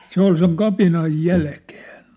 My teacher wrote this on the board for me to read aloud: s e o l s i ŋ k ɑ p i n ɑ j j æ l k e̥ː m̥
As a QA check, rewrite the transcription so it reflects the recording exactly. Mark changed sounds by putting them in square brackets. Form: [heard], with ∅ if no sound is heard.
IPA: s e o l s [e] ŋ k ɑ p i n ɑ j j æ l k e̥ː [n̥]